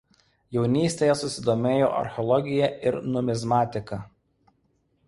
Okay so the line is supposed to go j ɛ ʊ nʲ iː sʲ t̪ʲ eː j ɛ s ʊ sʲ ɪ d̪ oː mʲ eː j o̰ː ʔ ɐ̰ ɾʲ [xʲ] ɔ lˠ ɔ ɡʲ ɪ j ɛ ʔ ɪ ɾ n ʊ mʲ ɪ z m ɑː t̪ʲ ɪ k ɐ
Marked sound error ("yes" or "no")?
no